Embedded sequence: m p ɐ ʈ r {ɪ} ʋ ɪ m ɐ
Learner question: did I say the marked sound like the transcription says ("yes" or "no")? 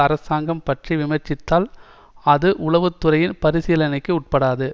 no